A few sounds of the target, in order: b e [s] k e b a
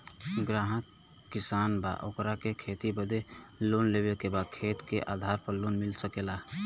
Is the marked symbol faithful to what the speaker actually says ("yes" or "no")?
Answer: no